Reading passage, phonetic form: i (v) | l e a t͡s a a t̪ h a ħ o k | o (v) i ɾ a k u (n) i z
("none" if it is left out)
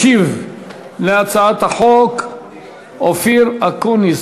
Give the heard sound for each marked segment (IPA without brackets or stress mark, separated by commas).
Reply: v, f, n